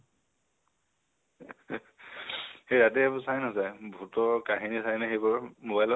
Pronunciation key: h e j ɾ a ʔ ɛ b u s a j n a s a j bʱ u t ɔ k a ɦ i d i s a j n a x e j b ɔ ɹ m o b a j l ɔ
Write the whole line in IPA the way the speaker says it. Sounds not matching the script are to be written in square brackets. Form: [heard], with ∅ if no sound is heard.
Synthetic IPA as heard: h e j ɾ a [t] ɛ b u s a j n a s a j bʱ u t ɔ k a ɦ i [n] i s a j n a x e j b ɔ ɹ m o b a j l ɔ